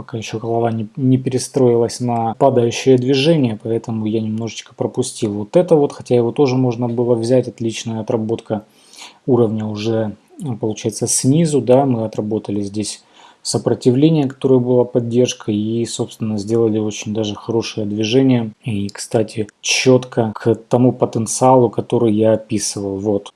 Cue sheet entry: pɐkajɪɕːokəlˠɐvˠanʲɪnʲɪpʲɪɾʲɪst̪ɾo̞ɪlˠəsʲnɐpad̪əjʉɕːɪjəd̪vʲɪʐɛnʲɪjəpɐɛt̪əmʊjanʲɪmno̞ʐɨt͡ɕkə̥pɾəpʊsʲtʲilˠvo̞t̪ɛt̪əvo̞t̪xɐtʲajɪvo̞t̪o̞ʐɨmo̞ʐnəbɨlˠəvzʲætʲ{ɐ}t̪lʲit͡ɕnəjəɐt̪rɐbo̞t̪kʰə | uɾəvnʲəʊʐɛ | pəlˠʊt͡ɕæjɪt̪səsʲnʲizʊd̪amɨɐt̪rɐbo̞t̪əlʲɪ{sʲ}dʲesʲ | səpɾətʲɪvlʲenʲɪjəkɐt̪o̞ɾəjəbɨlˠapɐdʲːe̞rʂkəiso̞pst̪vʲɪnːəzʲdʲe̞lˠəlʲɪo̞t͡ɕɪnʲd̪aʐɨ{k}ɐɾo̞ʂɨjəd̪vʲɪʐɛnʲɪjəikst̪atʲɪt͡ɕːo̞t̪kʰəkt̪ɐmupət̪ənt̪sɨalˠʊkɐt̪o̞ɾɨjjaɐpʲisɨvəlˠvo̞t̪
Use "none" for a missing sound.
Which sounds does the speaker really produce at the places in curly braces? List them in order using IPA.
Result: ɐ, zʲ, x

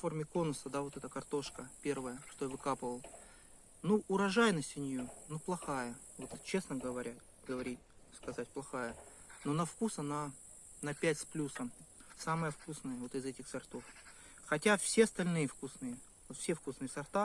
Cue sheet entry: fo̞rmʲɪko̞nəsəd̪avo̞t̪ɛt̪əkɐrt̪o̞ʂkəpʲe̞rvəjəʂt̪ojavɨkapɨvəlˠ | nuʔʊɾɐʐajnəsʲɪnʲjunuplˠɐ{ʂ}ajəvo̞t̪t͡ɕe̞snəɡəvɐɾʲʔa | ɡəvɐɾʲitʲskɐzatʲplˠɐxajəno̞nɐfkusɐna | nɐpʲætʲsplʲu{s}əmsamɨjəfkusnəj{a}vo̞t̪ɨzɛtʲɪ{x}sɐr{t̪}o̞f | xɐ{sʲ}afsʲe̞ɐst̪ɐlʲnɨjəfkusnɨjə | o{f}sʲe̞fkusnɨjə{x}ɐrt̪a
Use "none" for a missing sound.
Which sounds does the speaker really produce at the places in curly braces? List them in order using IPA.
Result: x, s, ə, x, t̪, tʲ, f, s

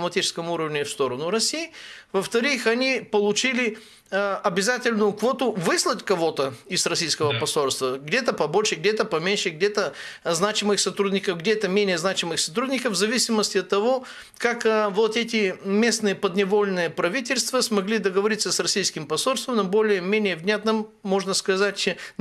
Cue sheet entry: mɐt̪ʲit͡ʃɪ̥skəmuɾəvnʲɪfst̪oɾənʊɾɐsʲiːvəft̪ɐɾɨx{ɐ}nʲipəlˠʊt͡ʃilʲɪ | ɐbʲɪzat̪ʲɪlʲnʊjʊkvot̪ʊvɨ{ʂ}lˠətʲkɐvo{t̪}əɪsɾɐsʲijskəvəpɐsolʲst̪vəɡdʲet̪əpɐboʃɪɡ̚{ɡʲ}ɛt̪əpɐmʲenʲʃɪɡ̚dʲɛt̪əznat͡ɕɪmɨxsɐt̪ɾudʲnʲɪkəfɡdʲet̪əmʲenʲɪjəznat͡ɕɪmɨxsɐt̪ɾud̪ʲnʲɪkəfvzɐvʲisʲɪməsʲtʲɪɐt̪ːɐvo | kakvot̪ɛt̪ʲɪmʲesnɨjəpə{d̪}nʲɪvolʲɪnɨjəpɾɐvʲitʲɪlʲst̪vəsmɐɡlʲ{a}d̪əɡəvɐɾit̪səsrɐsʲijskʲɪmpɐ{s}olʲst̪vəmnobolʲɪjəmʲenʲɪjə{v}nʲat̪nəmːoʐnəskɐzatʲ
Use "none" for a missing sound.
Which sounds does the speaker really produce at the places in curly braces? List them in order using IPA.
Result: ɐ, s, t̪, dʲ, d̪, i, s, v

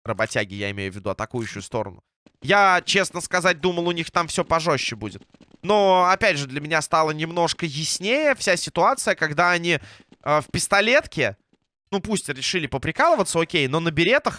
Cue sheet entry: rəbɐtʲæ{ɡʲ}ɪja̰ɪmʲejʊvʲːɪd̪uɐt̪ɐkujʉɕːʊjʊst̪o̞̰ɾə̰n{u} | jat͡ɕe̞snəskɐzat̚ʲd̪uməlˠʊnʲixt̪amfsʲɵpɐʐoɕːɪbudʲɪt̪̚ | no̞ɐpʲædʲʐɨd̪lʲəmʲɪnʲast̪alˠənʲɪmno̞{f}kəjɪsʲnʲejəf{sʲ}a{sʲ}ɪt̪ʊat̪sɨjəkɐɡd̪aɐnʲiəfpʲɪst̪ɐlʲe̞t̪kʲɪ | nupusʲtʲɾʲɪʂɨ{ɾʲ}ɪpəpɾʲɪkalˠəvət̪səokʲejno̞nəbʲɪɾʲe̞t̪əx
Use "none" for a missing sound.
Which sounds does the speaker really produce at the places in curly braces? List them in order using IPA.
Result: ɡʲ, ʊ, ʂ, sʲ, sʲ, lʲ

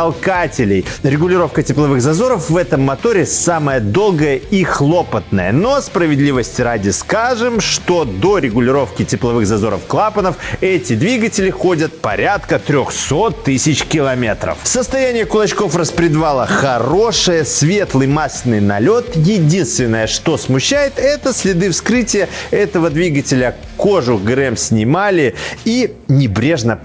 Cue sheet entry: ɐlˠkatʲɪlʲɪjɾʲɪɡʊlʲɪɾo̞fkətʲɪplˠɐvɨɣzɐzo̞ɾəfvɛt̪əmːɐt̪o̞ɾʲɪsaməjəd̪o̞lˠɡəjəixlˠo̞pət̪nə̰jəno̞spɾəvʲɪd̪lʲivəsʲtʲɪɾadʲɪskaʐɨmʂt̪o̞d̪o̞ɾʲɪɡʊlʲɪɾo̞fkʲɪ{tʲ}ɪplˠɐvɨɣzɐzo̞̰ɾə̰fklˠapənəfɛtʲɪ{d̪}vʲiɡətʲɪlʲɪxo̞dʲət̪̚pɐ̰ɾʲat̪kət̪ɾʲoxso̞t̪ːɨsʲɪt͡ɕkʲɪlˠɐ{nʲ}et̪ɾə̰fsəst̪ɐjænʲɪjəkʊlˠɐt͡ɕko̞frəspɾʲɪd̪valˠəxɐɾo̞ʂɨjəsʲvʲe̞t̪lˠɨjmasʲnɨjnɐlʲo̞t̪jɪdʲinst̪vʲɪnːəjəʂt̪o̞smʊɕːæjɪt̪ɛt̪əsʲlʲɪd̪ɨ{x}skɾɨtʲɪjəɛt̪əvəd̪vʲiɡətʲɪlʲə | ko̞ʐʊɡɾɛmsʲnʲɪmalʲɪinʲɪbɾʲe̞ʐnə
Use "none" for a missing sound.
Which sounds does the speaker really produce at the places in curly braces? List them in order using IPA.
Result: tʲ, d̪, mʲ, f

